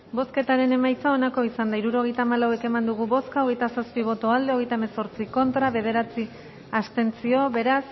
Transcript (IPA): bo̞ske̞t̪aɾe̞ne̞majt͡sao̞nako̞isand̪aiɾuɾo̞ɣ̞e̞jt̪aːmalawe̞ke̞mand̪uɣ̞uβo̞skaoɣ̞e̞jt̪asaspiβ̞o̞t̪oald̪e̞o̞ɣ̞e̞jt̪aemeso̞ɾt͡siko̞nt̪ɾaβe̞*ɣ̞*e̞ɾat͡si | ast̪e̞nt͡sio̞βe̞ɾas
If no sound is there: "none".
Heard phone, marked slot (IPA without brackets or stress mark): ð̞